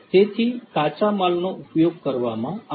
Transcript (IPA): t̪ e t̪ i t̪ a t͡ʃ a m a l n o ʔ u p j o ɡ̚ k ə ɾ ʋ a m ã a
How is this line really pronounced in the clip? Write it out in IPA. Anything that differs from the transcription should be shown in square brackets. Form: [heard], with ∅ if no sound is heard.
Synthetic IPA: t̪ e [t̪ʰ] i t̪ a t͡ʃ a m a l n o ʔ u p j o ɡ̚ k ə ɾ ʋ a m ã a